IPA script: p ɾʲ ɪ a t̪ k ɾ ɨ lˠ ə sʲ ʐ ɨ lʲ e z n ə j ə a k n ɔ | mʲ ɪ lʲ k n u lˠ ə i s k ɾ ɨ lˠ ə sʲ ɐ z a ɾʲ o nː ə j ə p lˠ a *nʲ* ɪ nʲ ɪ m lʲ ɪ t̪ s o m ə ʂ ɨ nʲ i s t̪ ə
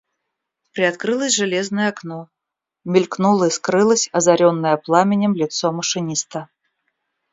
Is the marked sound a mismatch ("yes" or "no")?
yes